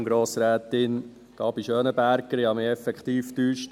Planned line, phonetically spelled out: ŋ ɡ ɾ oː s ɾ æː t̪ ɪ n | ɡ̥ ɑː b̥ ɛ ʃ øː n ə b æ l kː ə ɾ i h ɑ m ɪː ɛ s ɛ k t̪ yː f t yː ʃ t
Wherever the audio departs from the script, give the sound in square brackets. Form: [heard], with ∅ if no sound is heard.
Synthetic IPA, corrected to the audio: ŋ ɡ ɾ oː s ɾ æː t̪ ɪ n | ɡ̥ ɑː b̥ [i] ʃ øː n ə b æ [ɾ] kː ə ɾ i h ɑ m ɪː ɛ [f] ɛ k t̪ [iː] f t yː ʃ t

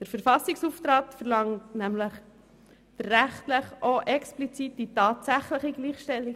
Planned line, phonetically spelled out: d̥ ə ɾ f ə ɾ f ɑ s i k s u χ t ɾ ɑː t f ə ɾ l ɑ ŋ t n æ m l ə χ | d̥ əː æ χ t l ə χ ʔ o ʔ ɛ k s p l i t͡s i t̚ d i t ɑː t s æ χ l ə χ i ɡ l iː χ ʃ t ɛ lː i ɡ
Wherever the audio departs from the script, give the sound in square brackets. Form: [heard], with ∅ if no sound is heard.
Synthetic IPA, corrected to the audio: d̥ ə ɾ f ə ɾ f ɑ s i k s u [f] t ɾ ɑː t f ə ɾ l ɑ ŋ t n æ m l ə χ | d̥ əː æ χ t l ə χ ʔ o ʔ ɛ k s p l i t͡s i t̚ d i t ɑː t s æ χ l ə χ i ɡ l iː χ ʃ t ɛ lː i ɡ

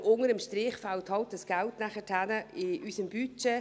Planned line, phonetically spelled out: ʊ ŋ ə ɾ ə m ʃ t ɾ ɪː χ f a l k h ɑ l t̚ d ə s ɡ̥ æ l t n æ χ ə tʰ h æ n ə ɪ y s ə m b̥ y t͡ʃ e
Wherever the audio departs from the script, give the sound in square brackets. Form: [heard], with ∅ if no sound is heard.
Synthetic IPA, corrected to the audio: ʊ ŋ ə ɾ ə m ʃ t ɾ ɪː χ f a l [t] h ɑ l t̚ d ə s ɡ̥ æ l t n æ χ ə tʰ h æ n ə ɪ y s ə m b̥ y t͡ʃ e

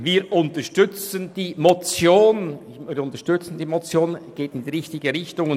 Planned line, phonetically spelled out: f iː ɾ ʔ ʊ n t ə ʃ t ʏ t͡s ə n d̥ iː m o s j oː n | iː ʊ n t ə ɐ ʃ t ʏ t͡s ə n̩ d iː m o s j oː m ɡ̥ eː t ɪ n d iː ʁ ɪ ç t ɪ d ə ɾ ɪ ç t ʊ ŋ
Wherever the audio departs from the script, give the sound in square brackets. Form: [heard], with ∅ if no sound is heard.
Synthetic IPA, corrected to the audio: [v] iː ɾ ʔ ʊ n t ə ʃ t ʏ t͡s ə n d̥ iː m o [t͡s] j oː n | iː ʊ n t ə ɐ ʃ t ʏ t͡s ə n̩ d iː m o [t͡s] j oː [n] ɡ̥ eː t ɪ n d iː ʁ ɪ ç t ɪ [ɡ] ə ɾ ɪ ç t ʊ ŋ

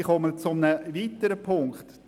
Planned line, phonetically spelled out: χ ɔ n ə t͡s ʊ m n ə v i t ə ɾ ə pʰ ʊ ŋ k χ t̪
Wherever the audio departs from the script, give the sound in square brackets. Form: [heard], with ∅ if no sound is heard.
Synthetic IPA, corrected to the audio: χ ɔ [m] ə t͡s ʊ m n ə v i t ə ɾ ə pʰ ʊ ŋ k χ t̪

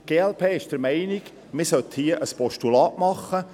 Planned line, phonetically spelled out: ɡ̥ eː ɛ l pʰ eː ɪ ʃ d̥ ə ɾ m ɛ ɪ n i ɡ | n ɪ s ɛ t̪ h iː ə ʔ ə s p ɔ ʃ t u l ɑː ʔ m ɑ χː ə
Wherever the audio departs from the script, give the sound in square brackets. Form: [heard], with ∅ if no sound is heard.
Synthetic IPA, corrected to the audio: ɡ̥ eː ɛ l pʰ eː ɪ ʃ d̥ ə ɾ m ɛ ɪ n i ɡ | [m] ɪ s [œ] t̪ h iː ə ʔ ə s p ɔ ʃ t u l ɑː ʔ m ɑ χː ə

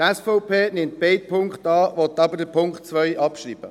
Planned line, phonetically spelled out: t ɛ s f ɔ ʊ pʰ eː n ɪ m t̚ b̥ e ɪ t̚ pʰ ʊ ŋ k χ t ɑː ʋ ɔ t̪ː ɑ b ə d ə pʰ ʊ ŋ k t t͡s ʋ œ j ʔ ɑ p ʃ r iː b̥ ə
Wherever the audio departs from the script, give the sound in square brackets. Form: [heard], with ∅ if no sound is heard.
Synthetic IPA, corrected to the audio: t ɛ s f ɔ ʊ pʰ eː n ɪ m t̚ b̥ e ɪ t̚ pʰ ʊ ŋ k χ t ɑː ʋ ɔ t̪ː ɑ b ə d ə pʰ ʊ ŋ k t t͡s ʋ œ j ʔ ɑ p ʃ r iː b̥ ə

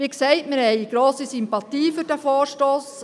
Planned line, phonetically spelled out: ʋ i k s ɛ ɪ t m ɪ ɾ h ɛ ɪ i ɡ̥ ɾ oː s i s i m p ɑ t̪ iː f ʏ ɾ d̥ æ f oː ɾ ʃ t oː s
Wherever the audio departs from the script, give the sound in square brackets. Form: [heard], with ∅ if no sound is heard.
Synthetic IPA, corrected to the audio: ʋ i k s ɛ ɪ t m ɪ ɾ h ɛ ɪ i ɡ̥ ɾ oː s i s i m p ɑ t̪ iː f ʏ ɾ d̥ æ f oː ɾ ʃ t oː s

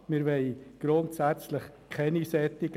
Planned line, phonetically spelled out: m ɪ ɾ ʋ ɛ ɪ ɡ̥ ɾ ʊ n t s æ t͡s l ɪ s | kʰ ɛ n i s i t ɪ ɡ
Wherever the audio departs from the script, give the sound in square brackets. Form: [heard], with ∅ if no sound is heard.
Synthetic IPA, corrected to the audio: m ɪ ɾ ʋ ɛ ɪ ɡ̥ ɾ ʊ n t s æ t͡s l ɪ [χ] | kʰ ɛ n i s [ɛ] t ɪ ɡ

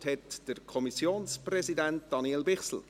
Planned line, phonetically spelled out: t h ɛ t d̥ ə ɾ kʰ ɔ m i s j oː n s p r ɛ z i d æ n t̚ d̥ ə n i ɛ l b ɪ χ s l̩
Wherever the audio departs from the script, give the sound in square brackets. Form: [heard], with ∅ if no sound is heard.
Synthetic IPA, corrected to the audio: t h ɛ t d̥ ə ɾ kʰ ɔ m i s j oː n s p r ɛ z i d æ n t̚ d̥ [ɑ] n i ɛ l b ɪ χ s l̩

